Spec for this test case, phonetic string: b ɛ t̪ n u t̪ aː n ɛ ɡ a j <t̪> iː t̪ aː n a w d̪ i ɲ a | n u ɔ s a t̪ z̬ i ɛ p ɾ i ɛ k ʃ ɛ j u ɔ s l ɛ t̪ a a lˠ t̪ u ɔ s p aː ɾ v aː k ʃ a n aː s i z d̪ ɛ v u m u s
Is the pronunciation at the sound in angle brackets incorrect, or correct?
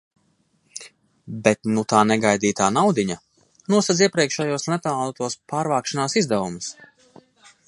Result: incorrect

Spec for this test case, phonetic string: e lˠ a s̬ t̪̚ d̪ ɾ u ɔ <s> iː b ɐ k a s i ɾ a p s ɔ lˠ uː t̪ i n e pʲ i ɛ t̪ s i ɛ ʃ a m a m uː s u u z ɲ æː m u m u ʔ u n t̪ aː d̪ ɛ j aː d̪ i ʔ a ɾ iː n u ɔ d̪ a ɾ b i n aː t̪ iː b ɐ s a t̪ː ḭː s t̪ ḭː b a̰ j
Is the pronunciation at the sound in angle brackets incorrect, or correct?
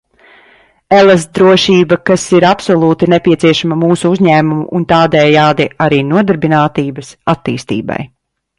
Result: incorrect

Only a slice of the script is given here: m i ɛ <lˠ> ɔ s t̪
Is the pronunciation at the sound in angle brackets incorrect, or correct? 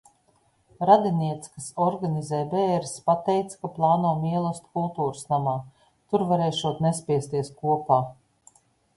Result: correct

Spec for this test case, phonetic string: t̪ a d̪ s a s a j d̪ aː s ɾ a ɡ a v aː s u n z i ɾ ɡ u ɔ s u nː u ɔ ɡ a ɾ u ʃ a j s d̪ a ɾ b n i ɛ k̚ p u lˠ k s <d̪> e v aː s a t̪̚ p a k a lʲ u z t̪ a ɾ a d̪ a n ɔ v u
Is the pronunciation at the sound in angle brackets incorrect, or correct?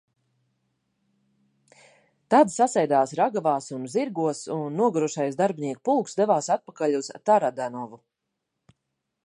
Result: correct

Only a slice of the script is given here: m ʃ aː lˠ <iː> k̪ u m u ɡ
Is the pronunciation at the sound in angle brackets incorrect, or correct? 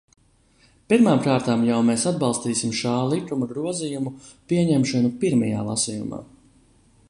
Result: incorrect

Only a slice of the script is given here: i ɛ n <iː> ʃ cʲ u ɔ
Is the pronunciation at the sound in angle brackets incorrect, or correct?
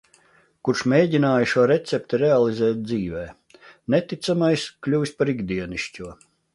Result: incorrect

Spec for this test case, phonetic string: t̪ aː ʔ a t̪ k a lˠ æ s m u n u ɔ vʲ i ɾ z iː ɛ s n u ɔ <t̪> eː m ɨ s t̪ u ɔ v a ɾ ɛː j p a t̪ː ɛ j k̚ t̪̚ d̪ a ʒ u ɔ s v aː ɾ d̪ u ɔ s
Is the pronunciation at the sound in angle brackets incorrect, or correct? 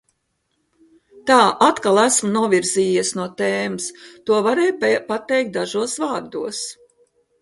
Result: correct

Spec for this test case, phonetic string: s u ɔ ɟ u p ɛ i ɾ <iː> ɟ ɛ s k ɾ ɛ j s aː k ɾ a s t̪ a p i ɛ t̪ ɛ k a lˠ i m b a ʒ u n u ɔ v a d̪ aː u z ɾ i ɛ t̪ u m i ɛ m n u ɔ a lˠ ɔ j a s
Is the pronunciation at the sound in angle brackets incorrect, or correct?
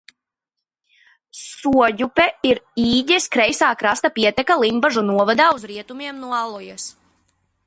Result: correct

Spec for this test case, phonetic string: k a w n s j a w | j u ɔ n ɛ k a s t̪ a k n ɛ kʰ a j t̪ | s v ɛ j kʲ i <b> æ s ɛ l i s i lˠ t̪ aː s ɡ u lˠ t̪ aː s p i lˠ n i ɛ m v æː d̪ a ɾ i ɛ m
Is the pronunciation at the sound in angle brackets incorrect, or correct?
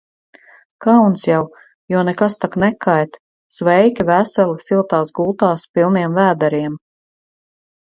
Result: incorrect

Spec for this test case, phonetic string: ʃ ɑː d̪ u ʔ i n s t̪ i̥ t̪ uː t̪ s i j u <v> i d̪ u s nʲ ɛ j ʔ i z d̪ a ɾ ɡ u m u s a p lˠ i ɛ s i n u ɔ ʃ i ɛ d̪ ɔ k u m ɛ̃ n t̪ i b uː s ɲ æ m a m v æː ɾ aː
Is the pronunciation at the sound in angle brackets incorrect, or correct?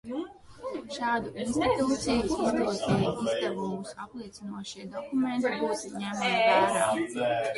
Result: incorrect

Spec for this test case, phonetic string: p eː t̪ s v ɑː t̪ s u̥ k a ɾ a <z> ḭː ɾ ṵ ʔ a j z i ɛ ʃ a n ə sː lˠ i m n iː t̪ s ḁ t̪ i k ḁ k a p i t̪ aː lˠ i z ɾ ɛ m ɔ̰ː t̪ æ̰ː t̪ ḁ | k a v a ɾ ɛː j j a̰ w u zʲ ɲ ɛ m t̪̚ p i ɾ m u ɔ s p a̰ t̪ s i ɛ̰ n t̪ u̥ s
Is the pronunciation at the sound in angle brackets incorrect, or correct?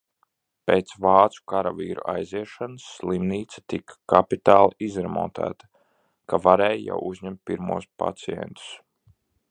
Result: incorrect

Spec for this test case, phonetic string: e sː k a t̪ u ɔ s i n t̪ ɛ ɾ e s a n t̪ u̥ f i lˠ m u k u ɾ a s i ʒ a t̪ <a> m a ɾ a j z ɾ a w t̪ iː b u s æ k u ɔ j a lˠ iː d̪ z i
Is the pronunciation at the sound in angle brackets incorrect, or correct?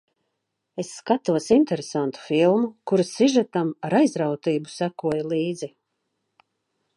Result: correct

